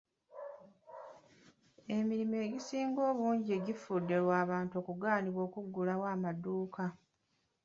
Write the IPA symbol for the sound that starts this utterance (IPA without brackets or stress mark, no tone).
e̞